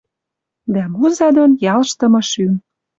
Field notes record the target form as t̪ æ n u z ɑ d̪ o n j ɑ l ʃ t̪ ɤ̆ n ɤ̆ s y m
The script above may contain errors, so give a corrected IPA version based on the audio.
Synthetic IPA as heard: d̪ æ m u z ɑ d̪ o n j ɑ l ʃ t̪ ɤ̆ m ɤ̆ ʃ y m